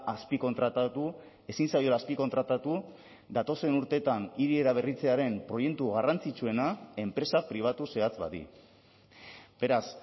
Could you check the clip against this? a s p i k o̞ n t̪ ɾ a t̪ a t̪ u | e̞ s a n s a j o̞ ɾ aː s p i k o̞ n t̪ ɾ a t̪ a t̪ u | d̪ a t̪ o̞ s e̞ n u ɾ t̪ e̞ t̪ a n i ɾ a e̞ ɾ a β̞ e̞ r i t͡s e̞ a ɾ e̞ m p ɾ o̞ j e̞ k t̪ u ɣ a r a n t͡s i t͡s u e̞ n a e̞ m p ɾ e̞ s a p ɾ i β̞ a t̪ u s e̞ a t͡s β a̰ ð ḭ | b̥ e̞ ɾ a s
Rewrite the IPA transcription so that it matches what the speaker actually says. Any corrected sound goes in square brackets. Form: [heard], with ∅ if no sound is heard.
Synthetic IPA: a s p i k o̞ n t̪ ɾ a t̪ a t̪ u | e̞ s [i] n s a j o̞ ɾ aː s p i k o̞ n t̪ ɾ a t̪ a t̪ u | d̪ a t̪ o̞ s e̞ n u ɾ t̪ e̞ t̪ a n i ɾ [i] e̞ ɾ a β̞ e̞ r i t͡s e̞ a ɾ e̞ m p ɾ o̞ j e̞ k t̪ u ɣ a r a n t͡s i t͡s u e̞ n a e̞ m p ɾ e̞ s a p ɾ i β̞ a t̪ u s e̞ a t͡s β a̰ ð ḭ | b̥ e̞ ɾ a s